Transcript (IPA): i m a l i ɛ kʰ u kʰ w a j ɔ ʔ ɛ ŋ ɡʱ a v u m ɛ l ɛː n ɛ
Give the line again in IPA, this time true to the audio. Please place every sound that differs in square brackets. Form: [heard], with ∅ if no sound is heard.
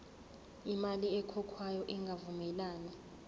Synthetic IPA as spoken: i m a l i ɛ kʰ [ɔ] kʰ w a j ɔ ʔ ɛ ŋ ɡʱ a v u m ɛ l [aː] n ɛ